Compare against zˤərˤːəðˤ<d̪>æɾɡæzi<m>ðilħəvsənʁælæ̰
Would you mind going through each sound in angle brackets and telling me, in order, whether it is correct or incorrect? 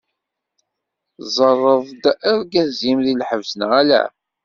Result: correct, correct

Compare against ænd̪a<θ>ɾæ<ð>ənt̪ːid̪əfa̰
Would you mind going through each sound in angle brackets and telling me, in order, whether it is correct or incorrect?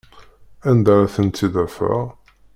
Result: incorrect: none, incorrect: θ

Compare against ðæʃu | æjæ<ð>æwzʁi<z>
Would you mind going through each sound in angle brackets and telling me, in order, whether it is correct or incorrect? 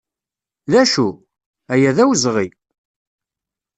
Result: correct, incorrect: none

